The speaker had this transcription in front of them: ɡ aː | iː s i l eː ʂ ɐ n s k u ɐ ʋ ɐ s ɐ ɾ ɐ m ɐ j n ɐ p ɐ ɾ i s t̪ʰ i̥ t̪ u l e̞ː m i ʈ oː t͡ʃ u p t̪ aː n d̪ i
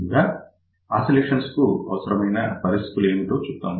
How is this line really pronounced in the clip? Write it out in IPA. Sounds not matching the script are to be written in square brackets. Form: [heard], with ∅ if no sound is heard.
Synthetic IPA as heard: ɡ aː | [aː] s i l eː ʂ ɐ n s k u ɐ ʋ ɐ s ɐ ɾ ɐ m ɐ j n ɐ p ɐ ɾ i s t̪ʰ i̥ t̪ u l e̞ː m i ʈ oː t͡ʃ u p t̪ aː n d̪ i

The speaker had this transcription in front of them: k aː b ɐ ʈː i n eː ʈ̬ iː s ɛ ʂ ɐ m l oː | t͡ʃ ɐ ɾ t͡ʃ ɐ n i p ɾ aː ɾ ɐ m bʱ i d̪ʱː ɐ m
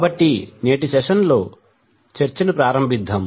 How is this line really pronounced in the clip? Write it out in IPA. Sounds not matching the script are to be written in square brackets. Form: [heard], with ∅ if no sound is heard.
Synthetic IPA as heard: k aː b ɐ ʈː i n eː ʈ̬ [i] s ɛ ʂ ɐ [n] l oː | t͡ʃ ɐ ɾ t͡ʃ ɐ n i p ɾ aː ɾ ɐ m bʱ i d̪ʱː ɐ m

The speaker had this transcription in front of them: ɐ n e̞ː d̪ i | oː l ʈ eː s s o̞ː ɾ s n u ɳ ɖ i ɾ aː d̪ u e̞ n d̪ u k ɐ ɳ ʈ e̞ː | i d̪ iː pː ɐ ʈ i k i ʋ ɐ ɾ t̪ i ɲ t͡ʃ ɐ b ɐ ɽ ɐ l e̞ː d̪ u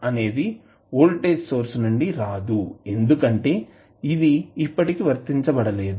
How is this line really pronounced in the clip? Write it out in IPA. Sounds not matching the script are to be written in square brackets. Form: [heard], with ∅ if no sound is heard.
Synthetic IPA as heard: ɐ n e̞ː d̪ i | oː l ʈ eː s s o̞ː ɾ s n u ɳ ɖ i ɾ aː d̪ u e̞ n d̪ u k ɐ ɳ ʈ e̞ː | i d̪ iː pː ɐ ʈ i k i ʋ ɐ ɾ t̪ i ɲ t͡ʃ ɐ b ɐ ɽ ɐ l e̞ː d̪ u

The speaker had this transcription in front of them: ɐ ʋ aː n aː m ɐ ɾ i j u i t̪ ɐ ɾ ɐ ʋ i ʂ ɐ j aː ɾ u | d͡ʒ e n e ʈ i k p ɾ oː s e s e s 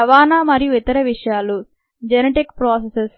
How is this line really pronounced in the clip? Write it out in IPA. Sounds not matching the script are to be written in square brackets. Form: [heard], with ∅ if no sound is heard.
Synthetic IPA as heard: ɐ ʋ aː n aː m ɐ ɾ i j u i t̪ ɐ ɾ ɐ ʋ i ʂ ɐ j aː [l] u | d͡ʒ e n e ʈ i k p ɾ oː s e s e s

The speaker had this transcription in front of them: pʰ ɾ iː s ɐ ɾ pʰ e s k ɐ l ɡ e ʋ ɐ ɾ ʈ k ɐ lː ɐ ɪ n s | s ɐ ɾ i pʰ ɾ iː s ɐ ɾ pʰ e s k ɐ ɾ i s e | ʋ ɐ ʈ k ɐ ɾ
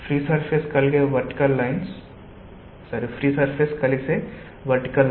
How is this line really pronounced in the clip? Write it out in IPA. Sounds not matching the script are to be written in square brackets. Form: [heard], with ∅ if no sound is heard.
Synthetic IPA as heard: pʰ ɾ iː s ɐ ɾ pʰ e s k ɐ l ɡ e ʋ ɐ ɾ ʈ k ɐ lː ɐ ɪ n s | s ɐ ɾ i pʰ ɾ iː s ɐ ɾ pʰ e s k ɐ [l] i s e | ʋ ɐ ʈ k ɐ [l]

